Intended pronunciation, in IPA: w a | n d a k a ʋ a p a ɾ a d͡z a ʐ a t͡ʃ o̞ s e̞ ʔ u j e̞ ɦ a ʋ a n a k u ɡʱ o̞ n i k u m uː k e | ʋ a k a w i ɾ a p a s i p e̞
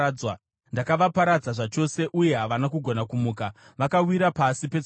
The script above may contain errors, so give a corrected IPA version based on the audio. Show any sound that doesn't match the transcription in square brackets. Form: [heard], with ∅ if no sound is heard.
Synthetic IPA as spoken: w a | n d a k a ʋ a p a ɾ a d͡z a ʐ a t͡ʃ o̞ s e̞ ʔ u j e̞ ɦ a ʋ a n a k u ɡʱ o̞ n [a] k u m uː k [a] | ʋ a k a w i ɾ a p a s i p e̞